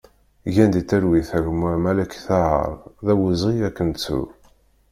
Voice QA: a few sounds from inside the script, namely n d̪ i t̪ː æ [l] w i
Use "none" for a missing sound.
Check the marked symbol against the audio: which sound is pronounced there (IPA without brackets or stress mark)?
ɾ